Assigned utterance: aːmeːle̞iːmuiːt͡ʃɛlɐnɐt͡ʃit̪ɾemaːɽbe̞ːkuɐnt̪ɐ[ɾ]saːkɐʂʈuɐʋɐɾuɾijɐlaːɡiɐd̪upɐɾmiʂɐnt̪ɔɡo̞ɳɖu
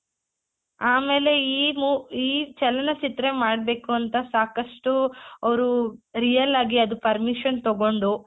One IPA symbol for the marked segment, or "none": none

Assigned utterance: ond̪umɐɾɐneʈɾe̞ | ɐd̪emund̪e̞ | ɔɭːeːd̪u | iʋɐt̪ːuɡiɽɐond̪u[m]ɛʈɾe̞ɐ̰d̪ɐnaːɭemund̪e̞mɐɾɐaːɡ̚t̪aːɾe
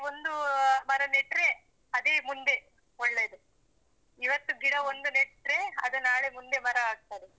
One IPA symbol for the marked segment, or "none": n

